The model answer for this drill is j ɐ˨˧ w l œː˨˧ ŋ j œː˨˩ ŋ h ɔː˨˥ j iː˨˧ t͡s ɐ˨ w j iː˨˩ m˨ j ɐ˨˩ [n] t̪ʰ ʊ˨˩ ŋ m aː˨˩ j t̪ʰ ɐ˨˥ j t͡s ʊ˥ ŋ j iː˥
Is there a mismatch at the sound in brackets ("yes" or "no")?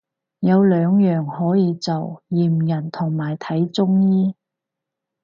no